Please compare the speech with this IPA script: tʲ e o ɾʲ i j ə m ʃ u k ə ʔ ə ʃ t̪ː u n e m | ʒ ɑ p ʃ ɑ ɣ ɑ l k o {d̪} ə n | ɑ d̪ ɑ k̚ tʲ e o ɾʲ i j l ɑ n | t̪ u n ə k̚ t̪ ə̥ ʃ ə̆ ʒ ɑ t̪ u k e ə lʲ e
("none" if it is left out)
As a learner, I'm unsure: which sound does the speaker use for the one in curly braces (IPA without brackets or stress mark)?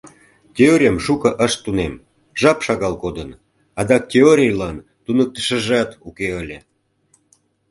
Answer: d̪